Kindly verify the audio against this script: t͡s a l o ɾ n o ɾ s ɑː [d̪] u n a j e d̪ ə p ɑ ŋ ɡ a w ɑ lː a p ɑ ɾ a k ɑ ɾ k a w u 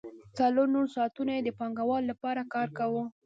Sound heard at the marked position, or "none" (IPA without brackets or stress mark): t̪